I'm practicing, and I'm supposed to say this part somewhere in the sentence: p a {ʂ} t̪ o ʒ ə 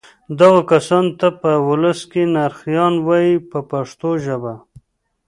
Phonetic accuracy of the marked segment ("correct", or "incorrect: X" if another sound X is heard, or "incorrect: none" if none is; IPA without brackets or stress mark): correct